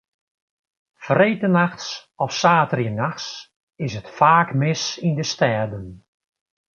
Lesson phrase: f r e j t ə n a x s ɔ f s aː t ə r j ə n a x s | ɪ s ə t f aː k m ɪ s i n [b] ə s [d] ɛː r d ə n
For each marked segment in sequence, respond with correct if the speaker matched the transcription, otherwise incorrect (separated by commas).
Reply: incorrect, incorrect